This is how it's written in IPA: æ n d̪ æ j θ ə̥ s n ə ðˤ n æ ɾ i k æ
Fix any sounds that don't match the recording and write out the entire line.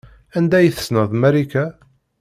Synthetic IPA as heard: æ n d̪ æ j θ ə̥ s n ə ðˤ m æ ɾ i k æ